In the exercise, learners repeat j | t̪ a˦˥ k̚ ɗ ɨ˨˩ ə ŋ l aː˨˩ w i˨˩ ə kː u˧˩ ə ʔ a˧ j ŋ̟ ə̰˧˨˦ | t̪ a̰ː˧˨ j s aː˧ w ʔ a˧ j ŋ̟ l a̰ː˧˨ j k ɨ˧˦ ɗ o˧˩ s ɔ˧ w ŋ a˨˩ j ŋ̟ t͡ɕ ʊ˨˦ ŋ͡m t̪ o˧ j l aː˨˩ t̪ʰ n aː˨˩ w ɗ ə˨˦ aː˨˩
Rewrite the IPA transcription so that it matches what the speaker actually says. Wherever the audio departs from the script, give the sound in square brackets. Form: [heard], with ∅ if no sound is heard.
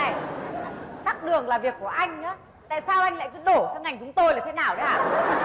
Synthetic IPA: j | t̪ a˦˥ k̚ ɗ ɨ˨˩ ə ŋ l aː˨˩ [v] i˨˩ ə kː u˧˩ ə ʔ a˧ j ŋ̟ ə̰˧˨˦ | t̪ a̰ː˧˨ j s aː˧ w ʔ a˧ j ŋ̟ l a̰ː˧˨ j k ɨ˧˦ ɗ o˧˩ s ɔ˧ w ŋ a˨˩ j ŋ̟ t͡ɕ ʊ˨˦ ŋ͡m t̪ o˧ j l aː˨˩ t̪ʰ n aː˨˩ w ɗ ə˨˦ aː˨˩